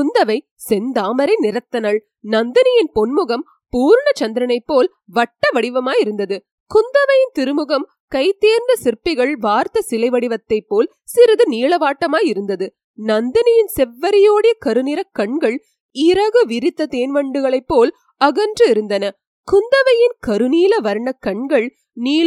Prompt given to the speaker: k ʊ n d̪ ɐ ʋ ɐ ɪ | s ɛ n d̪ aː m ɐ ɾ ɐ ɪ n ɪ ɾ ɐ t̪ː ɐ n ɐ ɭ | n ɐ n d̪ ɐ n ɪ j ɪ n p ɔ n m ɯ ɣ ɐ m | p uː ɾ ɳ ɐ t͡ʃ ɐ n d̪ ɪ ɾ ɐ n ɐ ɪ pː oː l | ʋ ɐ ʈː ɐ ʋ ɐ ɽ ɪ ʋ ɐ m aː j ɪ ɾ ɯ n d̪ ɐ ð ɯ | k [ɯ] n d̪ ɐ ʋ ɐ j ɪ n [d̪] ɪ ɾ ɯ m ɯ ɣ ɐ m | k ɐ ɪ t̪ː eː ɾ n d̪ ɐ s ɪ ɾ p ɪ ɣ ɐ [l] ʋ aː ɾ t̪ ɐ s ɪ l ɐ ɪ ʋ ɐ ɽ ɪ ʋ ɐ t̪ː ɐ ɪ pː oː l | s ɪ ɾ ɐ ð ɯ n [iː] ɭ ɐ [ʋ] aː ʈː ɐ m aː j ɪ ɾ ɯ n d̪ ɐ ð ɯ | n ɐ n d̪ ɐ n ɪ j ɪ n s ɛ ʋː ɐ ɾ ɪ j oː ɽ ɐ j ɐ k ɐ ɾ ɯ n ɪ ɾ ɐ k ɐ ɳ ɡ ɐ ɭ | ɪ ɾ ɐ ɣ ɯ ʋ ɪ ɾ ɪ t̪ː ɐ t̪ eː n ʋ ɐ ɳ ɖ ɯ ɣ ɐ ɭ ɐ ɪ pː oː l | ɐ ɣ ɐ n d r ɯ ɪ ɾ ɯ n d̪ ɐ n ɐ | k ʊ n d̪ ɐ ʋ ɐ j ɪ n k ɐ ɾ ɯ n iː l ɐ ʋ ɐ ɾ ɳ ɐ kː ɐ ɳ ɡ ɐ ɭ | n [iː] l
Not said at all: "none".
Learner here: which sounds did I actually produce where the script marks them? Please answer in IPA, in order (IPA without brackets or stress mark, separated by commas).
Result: ʊ, t̪, ɭ, iː, ʋ, iː